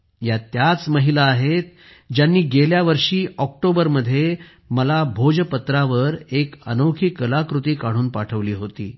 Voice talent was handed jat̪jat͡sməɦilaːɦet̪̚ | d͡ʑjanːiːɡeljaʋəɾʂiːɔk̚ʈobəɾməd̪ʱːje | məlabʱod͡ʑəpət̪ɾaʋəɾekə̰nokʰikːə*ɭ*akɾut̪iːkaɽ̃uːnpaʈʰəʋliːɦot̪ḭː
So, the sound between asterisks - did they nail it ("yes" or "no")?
no